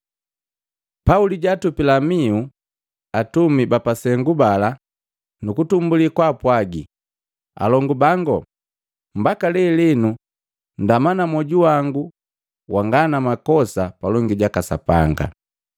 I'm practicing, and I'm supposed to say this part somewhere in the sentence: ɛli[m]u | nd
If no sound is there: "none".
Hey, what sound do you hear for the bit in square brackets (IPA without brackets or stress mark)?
n